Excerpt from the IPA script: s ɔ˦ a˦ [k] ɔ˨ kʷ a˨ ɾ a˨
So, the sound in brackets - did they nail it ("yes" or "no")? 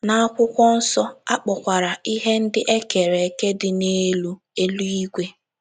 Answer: no